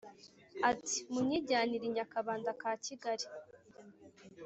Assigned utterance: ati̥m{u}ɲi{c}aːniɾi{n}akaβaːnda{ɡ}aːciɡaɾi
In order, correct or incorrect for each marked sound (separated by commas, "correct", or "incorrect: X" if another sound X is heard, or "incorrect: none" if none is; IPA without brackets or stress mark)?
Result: correct, incorrect: ɟ, incorrect: ɲ, incorrect: k